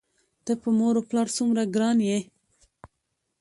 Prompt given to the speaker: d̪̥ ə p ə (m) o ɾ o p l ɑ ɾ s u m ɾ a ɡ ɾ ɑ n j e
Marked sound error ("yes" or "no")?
no